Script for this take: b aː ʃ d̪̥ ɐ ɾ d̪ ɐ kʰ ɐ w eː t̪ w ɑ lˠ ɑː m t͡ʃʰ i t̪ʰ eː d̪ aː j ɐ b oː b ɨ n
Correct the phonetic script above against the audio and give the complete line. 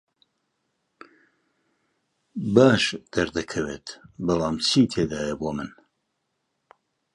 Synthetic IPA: b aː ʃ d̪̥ ɐ ɾ d̪ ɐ kʰ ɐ w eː t̪ b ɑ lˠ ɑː m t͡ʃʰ i t̪ʰ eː d̪ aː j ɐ b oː m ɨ n